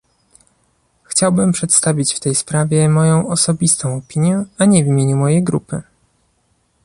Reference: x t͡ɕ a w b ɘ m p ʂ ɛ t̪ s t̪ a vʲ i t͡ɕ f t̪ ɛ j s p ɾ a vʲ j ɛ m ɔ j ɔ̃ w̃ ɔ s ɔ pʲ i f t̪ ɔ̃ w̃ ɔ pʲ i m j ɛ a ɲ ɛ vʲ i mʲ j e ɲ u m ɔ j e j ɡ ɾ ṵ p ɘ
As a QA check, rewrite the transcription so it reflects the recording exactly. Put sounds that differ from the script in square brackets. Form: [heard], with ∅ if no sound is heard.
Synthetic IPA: x t͡ɕ a w b ɘ m p ʂ ɛ t̪ s t̪ a vʲ i t͡ɕ f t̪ ɛ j s p ɾ a vʲ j ɛ m ɔ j ɔ̃ w̃ ɔ s ɔ [bʲ] i [s] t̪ ɔ̃ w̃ ɔ pʲ i [ɲ] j ɛ a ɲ ɛ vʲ i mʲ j e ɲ u m ɔ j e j ɡ ɾ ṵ p ɘ